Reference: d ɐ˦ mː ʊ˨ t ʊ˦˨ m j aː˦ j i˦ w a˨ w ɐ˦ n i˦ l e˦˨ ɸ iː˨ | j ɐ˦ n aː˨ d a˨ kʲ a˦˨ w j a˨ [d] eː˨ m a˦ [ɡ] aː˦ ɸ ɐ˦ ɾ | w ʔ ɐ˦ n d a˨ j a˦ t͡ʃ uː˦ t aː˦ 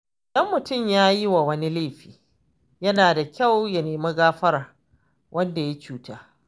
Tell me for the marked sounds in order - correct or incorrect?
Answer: incorrect: n, correct

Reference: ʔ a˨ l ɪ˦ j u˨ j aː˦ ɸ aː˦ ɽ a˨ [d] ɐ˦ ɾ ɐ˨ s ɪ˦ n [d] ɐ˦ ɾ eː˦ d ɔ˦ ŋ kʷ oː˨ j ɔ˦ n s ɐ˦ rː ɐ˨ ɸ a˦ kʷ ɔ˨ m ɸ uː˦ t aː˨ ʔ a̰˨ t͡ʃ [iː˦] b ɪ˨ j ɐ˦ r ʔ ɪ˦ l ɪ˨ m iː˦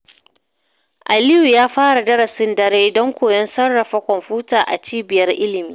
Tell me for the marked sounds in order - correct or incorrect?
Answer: correct, correct, correct

